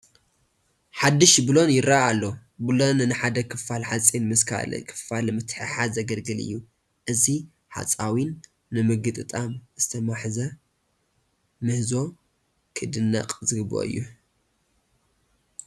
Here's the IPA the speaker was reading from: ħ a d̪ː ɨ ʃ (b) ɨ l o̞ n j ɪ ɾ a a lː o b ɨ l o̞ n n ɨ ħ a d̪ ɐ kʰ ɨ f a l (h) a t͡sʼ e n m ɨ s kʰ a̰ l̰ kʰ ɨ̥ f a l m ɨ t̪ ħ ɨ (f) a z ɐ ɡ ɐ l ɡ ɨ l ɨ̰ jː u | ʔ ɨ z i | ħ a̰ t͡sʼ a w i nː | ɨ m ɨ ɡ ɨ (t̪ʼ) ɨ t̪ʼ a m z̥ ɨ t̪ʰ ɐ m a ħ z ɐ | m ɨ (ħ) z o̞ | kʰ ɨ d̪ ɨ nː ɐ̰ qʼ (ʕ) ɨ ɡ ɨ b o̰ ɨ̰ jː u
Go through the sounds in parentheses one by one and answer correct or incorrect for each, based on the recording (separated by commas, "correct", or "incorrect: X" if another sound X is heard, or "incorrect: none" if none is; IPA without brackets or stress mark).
correct, incorrect: ħ, incorrect: ħ, correct, incorrect: h, incorrect: z